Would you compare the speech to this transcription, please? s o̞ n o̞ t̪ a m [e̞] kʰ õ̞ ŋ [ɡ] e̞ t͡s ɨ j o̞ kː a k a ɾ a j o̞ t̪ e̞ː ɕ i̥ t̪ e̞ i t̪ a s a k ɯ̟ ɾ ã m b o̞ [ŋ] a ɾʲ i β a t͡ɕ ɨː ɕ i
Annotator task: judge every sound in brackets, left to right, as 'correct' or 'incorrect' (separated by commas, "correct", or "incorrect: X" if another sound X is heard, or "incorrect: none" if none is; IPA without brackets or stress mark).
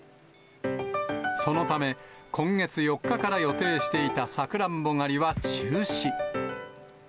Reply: correct, correct, correct